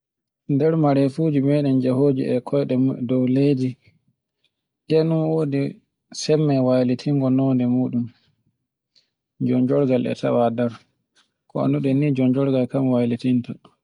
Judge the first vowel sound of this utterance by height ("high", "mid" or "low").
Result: mid